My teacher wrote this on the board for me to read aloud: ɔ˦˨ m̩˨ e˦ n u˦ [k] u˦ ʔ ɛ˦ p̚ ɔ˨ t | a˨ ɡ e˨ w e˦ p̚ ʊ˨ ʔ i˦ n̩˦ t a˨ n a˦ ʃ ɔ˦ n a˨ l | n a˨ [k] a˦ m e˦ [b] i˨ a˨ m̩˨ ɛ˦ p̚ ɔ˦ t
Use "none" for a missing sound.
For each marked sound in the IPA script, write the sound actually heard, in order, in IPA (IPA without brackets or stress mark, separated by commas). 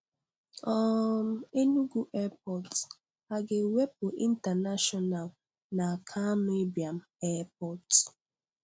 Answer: ɡ, kʰ, b